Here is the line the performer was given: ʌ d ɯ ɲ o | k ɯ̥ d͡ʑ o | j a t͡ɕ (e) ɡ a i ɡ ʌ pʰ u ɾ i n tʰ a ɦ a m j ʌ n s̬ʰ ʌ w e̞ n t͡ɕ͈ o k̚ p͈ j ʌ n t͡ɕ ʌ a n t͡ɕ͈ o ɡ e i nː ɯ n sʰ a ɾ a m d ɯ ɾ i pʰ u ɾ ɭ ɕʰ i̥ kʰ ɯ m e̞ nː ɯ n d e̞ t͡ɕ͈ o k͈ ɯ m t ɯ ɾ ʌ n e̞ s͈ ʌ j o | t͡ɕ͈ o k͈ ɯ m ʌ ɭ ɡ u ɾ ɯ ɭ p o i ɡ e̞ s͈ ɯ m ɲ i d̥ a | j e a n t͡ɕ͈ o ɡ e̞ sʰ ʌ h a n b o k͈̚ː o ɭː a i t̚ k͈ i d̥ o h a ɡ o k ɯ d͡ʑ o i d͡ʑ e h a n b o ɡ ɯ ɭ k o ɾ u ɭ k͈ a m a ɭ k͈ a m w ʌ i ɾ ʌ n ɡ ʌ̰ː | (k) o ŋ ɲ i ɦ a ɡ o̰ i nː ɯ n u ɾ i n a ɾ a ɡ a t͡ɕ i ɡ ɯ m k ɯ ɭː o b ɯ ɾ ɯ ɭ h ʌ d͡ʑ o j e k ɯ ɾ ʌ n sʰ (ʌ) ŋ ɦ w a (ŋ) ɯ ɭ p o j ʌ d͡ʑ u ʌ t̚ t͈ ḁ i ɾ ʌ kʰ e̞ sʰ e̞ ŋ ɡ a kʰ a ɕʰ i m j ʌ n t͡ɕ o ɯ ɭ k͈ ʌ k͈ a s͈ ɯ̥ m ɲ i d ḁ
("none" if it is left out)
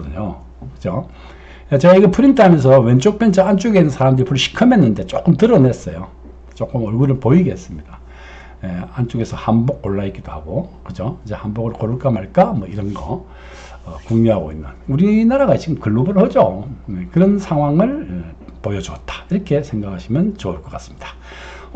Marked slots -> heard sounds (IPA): e, k, a, ŋ

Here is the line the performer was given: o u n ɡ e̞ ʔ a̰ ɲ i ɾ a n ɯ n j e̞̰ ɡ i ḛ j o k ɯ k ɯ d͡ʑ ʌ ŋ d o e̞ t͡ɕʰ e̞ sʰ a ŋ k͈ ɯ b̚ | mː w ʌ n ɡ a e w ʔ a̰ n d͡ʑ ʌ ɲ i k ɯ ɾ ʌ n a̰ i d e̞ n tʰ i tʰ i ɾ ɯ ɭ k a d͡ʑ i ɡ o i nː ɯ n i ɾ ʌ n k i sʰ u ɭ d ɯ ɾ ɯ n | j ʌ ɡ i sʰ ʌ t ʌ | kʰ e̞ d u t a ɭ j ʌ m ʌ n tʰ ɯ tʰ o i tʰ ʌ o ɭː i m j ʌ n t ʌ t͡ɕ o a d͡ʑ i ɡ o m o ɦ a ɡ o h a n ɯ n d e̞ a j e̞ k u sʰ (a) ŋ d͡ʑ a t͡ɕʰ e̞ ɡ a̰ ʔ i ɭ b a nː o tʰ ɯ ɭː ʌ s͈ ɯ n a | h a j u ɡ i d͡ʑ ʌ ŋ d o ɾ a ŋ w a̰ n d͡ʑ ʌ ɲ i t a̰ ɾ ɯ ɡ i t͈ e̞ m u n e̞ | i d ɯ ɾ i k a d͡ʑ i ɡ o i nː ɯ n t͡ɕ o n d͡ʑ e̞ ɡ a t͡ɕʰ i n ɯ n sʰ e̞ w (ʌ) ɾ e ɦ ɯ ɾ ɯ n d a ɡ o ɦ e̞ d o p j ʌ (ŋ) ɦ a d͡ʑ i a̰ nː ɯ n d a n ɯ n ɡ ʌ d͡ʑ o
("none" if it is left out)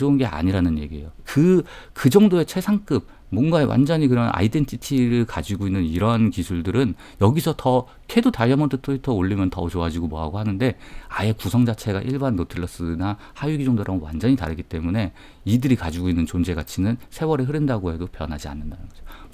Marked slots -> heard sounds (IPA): ʌ, ʌ, n

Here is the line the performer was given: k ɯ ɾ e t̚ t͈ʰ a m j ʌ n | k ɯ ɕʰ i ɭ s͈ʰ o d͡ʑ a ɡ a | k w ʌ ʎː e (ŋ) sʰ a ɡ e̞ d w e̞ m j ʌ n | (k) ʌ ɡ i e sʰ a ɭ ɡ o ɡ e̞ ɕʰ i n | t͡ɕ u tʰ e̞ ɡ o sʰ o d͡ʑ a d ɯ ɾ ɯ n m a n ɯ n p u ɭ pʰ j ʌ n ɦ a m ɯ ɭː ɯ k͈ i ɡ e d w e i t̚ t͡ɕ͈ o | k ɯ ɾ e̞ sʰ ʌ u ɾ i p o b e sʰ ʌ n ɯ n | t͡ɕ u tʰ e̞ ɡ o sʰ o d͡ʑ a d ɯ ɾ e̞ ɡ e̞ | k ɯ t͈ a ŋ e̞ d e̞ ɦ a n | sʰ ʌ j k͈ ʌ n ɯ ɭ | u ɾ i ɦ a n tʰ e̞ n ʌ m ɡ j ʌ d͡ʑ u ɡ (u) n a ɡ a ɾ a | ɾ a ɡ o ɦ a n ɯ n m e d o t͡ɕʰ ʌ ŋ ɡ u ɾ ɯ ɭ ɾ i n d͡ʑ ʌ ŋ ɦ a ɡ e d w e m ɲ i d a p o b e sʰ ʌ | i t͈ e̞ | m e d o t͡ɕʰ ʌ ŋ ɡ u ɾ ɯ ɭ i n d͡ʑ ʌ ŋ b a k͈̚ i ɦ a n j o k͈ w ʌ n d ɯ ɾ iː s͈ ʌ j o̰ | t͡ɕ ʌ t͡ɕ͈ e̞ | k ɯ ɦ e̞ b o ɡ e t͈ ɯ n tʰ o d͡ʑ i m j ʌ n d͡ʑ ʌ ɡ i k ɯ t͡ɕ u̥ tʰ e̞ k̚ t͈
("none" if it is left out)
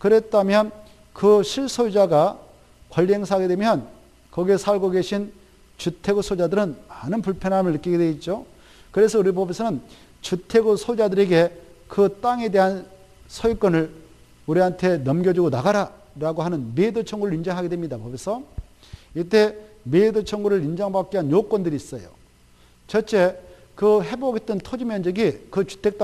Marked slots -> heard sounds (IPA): ŋ, k, o

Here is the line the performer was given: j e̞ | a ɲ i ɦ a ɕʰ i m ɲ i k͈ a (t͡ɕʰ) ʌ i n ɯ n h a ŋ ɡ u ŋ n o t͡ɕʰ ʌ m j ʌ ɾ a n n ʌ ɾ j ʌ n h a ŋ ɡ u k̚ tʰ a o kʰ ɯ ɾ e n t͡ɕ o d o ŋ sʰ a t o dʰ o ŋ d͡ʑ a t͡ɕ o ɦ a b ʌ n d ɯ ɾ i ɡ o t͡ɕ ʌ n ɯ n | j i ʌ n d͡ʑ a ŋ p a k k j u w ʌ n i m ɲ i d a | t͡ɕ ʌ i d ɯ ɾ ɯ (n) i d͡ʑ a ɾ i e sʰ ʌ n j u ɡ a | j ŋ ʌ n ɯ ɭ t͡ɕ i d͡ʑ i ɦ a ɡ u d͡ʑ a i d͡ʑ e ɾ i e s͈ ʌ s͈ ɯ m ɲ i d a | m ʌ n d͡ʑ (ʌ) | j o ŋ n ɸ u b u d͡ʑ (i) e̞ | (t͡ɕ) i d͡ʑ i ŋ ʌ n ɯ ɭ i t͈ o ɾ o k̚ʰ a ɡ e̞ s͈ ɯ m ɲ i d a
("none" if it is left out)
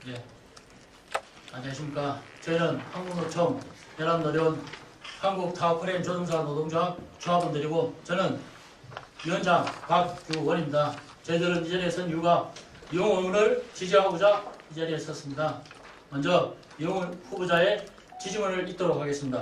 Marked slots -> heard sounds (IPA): t͡ɕ, n, ʌ, a, t͡ɕ

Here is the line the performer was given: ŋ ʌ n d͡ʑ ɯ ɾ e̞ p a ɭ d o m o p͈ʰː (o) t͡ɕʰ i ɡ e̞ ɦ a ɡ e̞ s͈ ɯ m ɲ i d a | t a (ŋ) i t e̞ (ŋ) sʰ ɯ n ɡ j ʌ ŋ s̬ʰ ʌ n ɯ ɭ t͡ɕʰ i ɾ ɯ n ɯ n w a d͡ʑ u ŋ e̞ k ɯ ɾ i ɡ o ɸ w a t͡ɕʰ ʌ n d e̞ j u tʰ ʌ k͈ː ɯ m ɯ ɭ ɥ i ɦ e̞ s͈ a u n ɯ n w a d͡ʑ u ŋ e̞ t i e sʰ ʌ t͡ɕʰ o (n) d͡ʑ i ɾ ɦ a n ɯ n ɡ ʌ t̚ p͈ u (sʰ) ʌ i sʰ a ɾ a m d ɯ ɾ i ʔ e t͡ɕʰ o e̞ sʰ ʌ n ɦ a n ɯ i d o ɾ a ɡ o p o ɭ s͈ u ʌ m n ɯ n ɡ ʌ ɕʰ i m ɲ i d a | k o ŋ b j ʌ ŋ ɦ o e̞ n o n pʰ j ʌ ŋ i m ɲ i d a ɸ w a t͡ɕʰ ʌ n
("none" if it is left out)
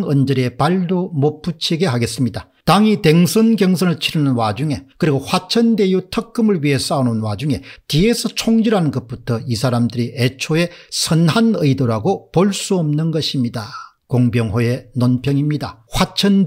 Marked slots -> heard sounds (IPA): u, ŋ, ŋ, ŋ, tʰ

